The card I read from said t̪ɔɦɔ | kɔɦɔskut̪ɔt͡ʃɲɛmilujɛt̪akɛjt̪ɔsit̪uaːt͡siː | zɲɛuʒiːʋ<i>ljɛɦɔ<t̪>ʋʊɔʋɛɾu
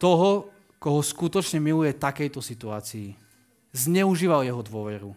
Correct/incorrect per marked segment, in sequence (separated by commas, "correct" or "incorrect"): incorrect, incorrect